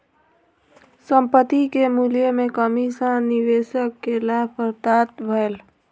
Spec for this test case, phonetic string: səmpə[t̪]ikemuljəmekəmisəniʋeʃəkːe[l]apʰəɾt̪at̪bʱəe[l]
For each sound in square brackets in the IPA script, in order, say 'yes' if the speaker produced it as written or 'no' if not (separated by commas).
yes, yes, yes